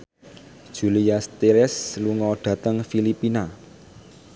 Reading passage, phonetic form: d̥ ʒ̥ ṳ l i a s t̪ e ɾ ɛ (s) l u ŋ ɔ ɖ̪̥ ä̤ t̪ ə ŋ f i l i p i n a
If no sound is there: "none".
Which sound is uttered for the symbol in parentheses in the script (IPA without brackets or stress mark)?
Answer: s